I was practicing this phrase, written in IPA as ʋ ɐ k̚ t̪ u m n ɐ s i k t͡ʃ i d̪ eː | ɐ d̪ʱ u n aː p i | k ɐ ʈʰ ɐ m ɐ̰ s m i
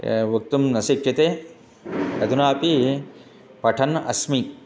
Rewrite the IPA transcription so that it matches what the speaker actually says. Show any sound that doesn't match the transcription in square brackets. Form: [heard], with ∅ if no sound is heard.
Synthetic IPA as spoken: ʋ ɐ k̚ t̪ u m n ɐ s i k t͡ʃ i [t̪] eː | ɐ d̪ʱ u n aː p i | [p] ɐ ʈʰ ɐ [n] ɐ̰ s m i

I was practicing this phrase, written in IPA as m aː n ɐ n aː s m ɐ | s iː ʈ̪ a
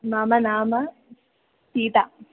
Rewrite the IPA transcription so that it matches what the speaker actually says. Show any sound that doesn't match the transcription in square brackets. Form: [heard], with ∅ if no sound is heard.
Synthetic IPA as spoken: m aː [m] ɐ n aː [∅] m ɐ | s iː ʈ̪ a

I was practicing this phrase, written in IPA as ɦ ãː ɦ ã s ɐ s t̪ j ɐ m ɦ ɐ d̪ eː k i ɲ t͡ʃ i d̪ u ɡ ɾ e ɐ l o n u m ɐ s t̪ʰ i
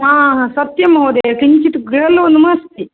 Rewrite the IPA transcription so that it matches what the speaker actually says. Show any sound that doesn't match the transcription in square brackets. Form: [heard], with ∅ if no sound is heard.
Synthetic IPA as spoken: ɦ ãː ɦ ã s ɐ [∅] t̪ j ɐ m ɦ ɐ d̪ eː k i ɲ t͡ʃ i [t̪] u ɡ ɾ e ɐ l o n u m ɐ s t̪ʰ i

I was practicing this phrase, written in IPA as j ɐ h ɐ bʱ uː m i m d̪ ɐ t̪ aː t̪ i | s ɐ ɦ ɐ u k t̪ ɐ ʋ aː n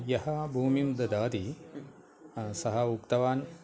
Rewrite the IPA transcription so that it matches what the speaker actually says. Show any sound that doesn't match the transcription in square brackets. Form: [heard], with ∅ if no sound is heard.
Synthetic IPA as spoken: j ɐ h ɐ bʱ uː m i m d̪ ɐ [d̪] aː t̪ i | s ɐ ɦ ɐ u k t̪ ɐ ʋ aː n

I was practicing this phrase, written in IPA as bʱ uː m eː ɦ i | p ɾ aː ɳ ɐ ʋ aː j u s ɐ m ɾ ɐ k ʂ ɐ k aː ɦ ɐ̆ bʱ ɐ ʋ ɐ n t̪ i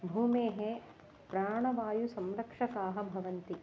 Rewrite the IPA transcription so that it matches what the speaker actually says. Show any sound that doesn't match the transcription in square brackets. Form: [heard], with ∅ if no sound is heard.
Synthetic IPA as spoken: bʱ uː m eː ɦ [e] | p ɾ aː ɳ ɐ ʋ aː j u s ɐ m ɾ ɐ k ʂ ɐ k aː ɦ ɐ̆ bʱ ɐ ʋ ɐ n t̪ i

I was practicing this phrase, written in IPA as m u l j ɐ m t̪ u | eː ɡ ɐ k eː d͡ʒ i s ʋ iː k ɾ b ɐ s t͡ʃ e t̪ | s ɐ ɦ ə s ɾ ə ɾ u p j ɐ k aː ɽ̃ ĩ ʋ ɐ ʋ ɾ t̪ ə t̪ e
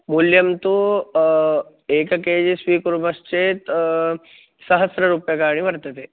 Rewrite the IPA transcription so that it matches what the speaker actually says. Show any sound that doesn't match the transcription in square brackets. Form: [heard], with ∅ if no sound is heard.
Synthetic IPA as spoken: m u l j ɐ m t̪ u | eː [k] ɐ k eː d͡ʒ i s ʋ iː k ɾ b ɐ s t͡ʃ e t̪ | s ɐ ɦ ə s ɾ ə ɾ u p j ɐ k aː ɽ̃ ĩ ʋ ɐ [∅] ɾ t̪ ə t̪ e

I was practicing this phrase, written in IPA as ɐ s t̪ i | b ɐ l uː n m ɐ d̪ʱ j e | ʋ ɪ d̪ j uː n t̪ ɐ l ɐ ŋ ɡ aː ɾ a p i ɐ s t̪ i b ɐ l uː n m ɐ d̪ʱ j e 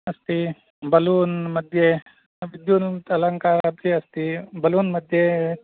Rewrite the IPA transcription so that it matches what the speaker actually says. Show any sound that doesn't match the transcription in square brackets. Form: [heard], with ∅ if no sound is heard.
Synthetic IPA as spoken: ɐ s t̪ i | b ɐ l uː n m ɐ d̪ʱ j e | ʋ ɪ d̪ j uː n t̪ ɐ l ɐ ŋ [k] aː ɾ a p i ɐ s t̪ i b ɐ l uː n m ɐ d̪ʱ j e

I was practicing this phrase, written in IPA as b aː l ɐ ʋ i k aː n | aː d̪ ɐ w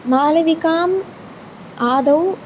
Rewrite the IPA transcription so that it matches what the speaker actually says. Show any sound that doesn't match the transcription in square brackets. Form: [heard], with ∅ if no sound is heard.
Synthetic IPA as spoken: [m] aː l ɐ ʋ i k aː [m] | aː d̪ ɐ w

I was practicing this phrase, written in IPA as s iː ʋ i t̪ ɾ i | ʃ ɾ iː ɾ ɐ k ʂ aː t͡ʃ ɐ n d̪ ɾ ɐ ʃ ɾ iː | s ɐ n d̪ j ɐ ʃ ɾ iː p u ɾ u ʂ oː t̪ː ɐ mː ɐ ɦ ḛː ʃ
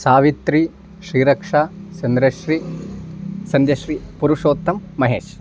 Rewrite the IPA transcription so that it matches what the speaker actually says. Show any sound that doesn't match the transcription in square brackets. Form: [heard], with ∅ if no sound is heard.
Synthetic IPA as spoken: s [aː] ʋ i t̪ ɾ i | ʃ ɾ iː ɾ ɐ k ʂ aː t͡ʃ ɐ n d̪ ɾ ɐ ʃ ɾ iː | s ɐ n d̪ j ɐ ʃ ɾ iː p u ɾ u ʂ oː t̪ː ɐ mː ɐ ɦ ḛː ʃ

